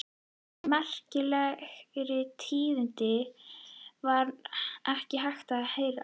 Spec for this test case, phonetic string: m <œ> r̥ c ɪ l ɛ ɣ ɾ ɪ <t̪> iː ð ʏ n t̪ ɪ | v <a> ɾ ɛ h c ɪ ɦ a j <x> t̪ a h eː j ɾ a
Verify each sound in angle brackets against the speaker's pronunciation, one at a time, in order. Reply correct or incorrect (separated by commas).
incorrect, incorrect, correct, correct